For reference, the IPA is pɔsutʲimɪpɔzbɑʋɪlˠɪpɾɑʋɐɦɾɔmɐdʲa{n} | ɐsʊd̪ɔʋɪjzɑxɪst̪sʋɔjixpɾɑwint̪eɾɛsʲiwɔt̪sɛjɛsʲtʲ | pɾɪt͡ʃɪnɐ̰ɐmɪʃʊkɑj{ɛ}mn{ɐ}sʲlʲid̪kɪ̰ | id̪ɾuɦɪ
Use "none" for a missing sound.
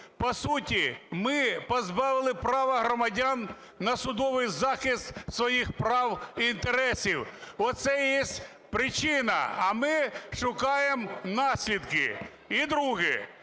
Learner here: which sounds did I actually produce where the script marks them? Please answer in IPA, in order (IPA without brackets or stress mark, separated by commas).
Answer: nː, e, ɑ